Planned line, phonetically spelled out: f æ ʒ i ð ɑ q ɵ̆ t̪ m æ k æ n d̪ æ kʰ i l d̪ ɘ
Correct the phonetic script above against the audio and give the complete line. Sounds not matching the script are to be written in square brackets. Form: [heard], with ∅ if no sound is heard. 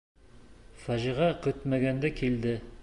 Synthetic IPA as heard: f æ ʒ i [ʁ] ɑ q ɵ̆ t̪ m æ [ɡ] æ n d̪ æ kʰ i l d̪ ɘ